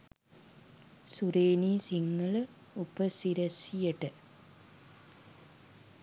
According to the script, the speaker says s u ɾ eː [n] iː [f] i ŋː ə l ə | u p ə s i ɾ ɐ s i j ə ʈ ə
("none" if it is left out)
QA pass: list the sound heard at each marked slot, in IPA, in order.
n, s

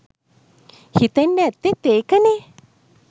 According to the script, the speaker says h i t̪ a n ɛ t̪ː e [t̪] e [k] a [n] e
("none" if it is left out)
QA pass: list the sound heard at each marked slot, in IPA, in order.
t̪, k, n

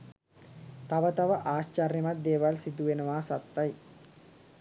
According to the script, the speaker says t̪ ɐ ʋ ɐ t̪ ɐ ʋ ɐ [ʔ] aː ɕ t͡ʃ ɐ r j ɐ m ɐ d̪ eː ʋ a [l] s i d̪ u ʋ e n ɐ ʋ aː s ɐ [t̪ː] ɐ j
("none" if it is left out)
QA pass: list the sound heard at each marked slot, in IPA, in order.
ʔ, l, t̪ː

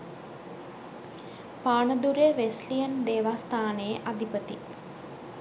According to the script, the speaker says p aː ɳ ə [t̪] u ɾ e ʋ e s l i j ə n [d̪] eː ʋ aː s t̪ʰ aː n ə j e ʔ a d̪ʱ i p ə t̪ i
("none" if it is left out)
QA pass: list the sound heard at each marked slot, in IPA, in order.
d̪, d̪

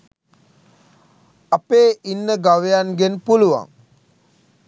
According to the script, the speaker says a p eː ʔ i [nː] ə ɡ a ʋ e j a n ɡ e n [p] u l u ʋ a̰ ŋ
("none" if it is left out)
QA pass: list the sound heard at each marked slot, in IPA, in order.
nː, p

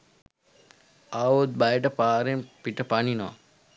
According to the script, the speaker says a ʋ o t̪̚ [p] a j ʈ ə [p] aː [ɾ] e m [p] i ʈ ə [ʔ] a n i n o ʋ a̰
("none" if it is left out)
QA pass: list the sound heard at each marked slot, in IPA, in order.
b, p, ɾ, p, p

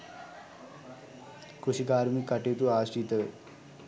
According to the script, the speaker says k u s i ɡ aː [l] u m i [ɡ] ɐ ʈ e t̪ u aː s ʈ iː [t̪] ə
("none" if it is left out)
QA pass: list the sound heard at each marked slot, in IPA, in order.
ɾ, k, t̪

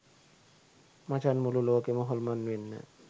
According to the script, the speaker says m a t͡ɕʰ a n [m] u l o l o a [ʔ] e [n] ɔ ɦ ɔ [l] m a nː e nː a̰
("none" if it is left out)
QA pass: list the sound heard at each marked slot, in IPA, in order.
m, k, m, l

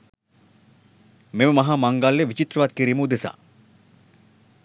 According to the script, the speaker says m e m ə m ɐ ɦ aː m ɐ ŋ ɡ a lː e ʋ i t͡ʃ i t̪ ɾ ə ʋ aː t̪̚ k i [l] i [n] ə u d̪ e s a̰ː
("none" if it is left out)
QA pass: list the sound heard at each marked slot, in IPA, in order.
ɾ, m

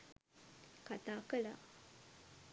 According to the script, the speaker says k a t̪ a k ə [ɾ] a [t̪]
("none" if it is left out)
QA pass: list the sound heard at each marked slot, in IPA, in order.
l, none

